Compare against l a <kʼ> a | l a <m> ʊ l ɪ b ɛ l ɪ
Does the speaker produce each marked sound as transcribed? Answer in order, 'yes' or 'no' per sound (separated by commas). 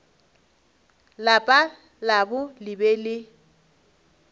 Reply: no, no